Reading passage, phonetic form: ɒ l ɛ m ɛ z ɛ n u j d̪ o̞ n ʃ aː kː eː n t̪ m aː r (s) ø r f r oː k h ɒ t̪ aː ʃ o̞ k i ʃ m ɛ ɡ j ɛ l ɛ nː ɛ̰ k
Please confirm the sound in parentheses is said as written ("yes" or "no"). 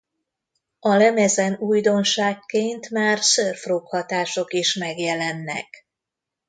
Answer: yes